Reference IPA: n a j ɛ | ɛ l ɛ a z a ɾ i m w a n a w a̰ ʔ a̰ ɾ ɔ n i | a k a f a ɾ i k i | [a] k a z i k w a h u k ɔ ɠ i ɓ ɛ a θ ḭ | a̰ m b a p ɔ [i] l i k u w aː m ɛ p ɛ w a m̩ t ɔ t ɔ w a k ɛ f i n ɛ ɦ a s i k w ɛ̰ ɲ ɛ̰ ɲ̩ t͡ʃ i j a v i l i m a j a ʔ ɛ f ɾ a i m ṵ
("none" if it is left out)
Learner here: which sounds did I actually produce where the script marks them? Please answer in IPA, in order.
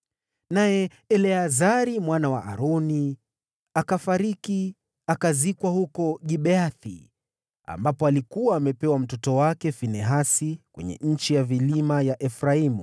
a, a

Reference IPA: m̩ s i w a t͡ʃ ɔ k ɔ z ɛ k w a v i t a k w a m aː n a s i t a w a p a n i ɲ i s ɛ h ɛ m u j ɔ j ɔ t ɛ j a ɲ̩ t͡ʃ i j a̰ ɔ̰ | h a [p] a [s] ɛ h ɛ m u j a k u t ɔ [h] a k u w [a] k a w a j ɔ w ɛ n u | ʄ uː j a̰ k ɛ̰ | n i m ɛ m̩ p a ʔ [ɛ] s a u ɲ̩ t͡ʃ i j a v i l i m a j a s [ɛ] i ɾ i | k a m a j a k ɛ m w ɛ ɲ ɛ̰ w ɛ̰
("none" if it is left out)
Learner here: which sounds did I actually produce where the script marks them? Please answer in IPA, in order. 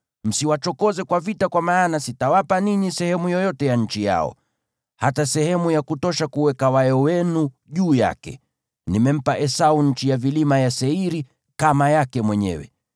t, s, ʃ, ɛ, ɛ, ɛ

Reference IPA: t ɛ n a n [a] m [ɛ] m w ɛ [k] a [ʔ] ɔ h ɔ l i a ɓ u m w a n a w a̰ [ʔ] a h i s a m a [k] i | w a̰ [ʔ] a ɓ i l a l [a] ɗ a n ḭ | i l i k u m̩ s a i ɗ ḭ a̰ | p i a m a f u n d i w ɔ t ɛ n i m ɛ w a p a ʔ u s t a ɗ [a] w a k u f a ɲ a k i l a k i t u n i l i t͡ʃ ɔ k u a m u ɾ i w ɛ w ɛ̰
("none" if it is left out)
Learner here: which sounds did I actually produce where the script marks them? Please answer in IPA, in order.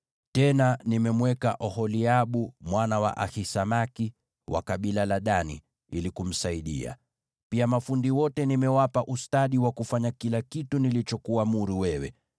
i, ɛ, k, ʔ, ʔ, k, k, a, i

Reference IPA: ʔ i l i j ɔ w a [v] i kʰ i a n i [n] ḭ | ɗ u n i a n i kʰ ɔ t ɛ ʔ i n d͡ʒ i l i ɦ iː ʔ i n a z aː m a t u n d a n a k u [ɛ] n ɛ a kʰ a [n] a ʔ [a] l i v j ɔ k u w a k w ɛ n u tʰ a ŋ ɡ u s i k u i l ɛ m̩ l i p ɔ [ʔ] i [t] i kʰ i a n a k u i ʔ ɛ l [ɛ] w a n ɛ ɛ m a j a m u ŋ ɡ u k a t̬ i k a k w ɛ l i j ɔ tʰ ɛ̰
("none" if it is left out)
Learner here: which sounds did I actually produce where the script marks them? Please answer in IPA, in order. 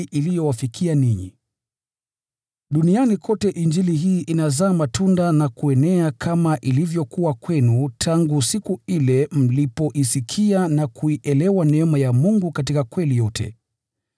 f, ɲ, ɛ, m, i, ʔ, s, ɛ

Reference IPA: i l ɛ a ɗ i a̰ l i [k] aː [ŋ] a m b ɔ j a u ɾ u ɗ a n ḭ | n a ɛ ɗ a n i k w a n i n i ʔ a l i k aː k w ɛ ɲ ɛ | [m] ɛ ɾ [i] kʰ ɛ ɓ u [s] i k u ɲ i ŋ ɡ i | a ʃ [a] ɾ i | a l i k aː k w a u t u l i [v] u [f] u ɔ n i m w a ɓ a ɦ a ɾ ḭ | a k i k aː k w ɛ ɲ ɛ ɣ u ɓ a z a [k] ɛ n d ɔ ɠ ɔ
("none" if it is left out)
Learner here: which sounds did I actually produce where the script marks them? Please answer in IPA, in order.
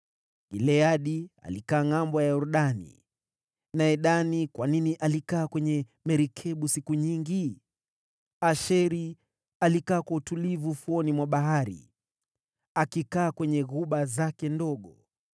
k, ŋ, m, i, s, ɛ, v, f, k

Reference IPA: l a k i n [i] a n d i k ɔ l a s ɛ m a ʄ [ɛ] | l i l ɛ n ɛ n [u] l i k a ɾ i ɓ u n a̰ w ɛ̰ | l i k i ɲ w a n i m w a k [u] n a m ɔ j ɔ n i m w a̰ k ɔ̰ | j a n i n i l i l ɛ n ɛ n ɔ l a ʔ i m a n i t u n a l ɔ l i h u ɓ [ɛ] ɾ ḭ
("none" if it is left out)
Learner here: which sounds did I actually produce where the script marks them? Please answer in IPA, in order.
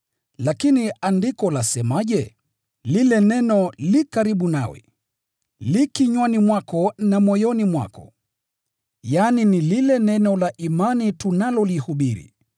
i, ɛ, ɔ, ɔ, i

